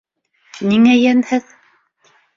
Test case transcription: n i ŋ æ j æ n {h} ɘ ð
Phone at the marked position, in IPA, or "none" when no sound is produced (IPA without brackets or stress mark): h